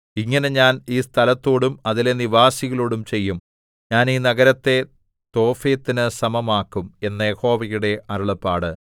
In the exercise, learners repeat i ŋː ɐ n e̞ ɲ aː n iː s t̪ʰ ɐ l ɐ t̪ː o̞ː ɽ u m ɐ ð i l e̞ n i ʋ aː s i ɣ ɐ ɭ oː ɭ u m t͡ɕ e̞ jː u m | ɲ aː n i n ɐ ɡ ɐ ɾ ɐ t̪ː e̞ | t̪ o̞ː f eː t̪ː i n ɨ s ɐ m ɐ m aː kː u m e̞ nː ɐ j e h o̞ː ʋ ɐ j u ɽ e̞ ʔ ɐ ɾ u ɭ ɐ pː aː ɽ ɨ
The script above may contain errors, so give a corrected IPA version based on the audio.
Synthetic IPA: i ŋː ɐ n e̞ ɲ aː n iː s t̪ʰ ɐ l ɐ t̪ː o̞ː ɽ u m ɐ ð i l e̞ n i ʋ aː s i ɣ ɐ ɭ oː ɽ u m t͡ɕ e̞ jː u m | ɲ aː n iː n ɐ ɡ ɐ ɾ ɐ t̪ː e̞ | t̪ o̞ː f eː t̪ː i n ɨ s ɐ m ɐ m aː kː u m e̞ nː ɐ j e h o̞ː ʋ ɐ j u ɽ e̞ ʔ ɐ ɾ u ɭ ɐ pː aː ɽ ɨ

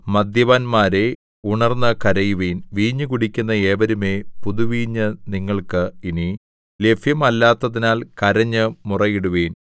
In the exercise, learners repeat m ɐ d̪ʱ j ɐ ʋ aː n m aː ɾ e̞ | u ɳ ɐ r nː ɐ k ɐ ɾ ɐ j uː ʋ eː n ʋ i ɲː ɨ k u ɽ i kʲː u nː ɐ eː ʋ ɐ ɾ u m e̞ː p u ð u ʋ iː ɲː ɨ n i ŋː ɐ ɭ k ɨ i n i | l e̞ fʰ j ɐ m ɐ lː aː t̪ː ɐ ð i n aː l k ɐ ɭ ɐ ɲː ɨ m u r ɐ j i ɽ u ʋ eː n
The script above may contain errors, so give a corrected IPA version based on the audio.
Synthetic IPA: m ɐ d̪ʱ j ɐ ʋ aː n m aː ɾ e̞ | u ɳ ɐ r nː ɐ k ɐ ɾ ɐ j u ʋ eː n ʋ iː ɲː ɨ k u ɽ i kʲː u nː ɐ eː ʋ ɐ ɾ u m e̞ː p u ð u ʋ iː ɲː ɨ n i ŋː ɐ ɭ k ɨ i n i | l e̞ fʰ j ɐ m ɐ lː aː t̪ː ɐ ð i n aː l k ɐ ɾ ɐ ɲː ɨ m u r ɐ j i ɽ u ʋ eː n

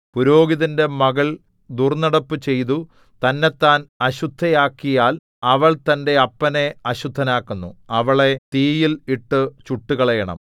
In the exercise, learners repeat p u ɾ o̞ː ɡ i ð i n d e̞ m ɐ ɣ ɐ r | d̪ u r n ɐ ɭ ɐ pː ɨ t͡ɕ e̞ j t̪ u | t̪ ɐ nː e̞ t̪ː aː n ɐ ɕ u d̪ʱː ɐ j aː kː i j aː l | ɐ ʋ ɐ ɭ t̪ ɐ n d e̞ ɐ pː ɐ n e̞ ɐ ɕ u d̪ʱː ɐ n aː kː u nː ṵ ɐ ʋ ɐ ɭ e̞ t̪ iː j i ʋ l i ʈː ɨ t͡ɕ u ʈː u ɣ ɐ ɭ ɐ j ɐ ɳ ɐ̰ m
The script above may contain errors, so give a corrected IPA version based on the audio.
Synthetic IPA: p u ɾ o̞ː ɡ i ð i n d e̞ m ɐ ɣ ɐ ɭ | d̪ u r n ɐ ɽ ɐ pː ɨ t͡ɕ e̞ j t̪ u | t̪ ɐ nː e̞ t̪ː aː n ɐ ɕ u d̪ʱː ɐ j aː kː i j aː l | ɐ ʋ ɐ ɭ t̪ ɐ n d e̞ ɐ pː ɐ n e̞ ɐ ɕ u d̪ʱː ɐ n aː kː u nː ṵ ɐ ʋ ɐ ɭ e̞ t̪ iː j i l i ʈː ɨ t͡ɕ u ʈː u ɣ ɐ ɭ ɐ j ɐ ɳ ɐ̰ m

